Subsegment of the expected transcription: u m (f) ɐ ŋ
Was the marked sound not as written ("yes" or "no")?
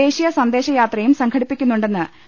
yes